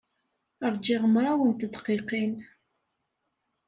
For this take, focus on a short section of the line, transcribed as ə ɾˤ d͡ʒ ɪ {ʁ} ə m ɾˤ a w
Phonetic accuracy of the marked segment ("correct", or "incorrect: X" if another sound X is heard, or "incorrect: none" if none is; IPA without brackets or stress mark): correct